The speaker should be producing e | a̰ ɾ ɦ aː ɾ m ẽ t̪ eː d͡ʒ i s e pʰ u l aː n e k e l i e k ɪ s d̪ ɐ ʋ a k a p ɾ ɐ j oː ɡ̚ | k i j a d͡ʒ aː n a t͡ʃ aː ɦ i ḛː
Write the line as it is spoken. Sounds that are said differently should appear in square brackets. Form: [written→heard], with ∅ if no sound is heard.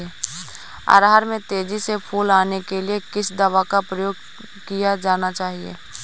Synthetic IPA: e | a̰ ɾ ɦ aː ɾ m ẽ t̪ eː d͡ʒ i s e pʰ [u→uː] l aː n e k e l i e k ɪ s d̪ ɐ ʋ a k a p ɾ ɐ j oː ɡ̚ | k i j a d͡ʒ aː n a t͡ʃ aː ɦ i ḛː